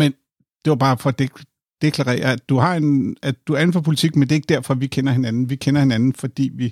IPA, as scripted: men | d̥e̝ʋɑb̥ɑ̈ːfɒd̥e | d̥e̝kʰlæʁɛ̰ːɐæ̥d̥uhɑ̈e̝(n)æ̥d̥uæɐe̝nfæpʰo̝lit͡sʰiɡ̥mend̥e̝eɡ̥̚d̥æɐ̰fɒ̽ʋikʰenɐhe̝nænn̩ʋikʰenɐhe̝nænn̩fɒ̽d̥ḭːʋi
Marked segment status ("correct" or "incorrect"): correct